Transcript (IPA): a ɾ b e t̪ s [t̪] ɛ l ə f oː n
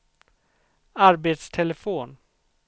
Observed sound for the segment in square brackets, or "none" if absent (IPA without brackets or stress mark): t̪ʰ